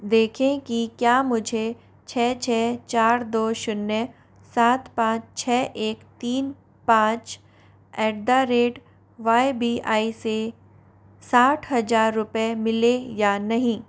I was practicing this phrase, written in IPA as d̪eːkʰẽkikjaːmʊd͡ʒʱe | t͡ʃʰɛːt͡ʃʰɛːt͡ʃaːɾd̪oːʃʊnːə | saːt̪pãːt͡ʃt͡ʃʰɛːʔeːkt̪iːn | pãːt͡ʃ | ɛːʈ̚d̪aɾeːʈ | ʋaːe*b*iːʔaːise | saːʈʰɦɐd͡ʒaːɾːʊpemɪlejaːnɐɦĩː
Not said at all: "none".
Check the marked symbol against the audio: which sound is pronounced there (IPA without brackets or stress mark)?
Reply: b